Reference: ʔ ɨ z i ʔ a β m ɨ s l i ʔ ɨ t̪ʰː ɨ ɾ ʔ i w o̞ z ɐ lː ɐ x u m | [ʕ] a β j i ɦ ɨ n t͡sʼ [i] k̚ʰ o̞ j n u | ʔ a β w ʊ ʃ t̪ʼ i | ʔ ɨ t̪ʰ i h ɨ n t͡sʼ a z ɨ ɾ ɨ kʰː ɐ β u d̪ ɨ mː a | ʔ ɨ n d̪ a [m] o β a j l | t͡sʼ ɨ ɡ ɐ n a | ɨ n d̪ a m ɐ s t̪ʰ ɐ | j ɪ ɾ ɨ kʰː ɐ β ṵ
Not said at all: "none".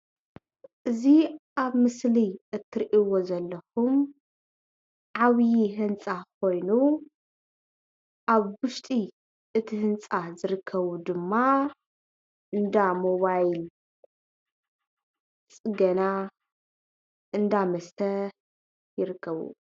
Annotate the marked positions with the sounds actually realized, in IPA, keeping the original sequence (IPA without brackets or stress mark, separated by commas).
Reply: ʕ, a, m